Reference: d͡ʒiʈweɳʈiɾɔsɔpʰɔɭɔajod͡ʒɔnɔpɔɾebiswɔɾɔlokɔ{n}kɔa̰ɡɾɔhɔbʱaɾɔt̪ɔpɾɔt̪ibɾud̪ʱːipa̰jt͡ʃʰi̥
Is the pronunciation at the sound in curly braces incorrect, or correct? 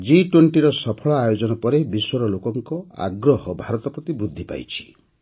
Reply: incorrect